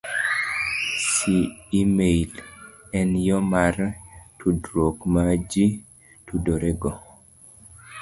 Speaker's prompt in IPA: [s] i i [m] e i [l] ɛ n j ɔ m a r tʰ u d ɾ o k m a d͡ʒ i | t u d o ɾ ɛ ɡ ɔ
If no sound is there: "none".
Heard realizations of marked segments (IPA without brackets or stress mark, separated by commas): s, m, l